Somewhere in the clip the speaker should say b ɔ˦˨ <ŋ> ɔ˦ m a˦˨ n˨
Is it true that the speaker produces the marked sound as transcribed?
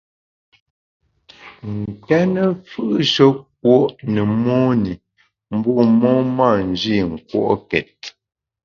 no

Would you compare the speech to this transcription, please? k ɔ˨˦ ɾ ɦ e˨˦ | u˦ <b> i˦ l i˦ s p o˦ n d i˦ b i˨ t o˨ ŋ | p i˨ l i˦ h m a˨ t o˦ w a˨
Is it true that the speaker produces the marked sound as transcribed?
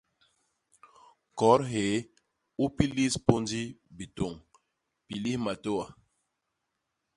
no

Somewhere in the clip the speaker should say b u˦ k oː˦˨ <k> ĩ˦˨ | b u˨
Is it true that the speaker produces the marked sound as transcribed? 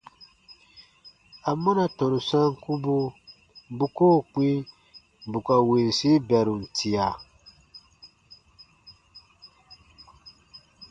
no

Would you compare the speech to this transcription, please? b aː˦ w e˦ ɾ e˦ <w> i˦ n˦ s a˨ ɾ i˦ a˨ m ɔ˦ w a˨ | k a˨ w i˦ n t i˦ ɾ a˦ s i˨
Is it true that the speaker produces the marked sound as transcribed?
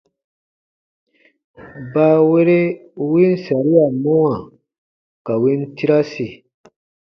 yes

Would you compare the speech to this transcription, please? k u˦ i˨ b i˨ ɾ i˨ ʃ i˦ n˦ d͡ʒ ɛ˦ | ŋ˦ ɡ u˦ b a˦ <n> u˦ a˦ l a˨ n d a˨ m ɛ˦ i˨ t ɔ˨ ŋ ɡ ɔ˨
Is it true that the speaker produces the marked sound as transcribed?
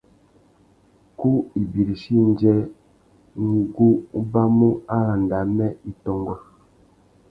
no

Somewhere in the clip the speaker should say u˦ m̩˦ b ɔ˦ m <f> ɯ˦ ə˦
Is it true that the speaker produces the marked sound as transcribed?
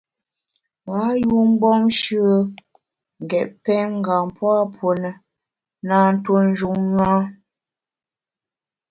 no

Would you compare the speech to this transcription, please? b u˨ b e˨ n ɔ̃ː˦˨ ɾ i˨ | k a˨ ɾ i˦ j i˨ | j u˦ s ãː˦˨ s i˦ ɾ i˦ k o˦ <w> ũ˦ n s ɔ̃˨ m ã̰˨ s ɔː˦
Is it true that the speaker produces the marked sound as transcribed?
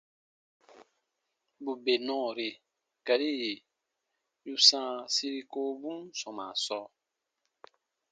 no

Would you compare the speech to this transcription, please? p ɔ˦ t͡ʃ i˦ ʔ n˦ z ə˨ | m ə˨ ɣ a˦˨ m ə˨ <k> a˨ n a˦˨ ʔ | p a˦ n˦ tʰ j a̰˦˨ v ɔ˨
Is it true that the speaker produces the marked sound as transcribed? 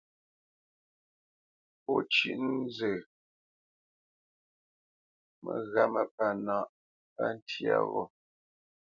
no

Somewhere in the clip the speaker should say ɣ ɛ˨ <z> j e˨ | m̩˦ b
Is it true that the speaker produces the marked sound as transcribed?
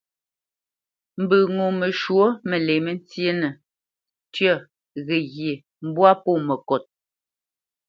no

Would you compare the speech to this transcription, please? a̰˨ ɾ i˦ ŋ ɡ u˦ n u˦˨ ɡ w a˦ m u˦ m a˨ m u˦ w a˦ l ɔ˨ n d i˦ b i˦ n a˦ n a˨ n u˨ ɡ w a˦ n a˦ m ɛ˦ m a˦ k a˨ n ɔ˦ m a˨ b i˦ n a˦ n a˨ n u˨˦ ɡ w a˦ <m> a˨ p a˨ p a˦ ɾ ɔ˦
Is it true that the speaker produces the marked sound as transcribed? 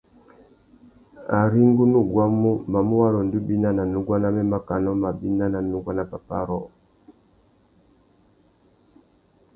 no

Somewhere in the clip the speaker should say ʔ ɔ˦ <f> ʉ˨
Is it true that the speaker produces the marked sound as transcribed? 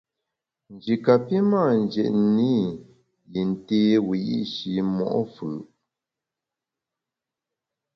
yes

